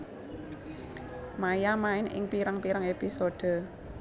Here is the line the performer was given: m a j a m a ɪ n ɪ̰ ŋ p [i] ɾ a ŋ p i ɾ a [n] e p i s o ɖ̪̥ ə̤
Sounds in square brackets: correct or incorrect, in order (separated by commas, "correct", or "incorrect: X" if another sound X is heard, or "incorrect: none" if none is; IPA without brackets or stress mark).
correct, incorrect: ŋ